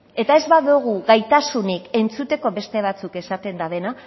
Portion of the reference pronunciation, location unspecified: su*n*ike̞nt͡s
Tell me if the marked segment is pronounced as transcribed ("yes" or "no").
yes